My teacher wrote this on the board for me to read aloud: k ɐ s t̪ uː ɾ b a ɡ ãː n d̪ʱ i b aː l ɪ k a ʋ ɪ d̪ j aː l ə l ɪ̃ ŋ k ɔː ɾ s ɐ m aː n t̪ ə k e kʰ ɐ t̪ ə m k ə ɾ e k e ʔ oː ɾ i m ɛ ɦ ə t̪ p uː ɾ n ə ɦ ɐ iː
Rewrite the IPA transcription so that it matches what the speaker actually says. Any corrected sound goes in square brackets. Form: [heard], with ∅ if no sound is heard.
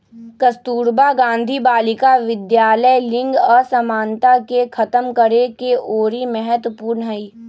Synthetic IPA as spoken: k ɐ s t̪ uː ɾ b a ɡ ãː n d̪ʱ i b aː l ɪ k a ʋ ɪ d̪ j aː l ə l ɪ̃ ŋ [ɡ] ɔː ɾ s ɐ m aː n t̪ [a] k e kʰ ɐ t̪ ə m k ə ɾ e k e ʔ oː ɾ i m ɛ ɦ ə t̪ p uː ɾ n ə ɦ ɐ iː